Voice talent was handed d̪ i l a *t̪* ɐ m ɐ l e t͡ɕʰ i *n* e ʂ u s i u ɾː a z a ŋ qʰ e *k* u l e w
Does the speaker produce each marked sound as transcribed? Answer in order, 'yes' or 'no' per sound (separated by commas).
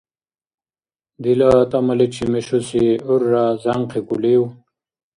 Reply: yes, no, yes